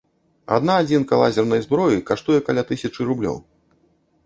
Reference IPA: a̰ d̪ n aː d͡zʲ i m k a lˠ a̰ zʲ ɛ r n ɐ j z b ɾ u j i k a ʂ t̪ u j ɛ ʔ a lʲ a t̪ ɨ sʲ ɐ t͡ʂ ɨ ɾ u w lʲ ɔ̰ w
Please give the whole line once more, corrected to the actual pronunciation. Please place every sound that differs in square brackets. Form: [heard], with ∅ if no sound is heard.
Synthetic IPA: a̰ d̪ n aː d͡zʲ i [n] k a lˠ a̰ zʲ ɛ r n ɐ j z b ɾ [ɔ] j i k a ʂ t̪ u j ɛ [k] a lʲ a t̪ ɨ sʲ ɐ t͡ʂ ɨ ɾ u [b] lʲ ɔ̰ w